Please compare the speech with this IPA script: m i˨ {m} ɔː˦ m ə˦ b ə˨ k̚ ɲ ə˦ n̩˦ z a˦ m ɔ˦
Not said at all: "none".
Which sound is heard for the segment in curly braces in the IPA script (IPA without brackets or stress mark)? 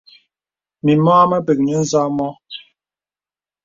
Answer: m